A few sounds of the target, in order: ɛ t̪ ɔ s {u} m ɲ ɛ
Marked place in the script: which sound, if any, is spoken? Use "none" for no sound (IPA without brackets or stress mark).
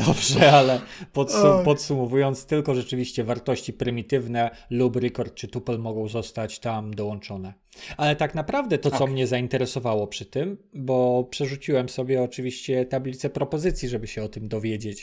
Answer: ɔ